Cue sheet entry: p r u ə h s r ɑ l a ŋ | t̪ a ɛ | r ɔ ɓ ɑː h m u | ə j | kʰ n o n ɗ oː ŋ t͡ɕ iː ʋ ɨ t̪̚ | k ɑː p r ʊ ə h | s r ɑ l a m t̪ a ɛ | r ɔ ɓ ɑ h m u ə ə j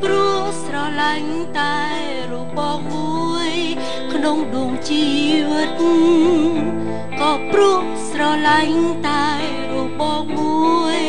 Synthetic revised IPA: p r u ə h s r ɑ l a ŋ | t̪ a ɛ | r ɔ ɓ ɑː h m u | ə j | kʰ n o ŋ ɗ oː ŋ t͡ɕ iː ʋ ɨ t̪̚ | k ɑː p r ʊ ə h | s r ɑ l a ŋ t̪ a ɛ | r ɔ ɓ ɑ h m u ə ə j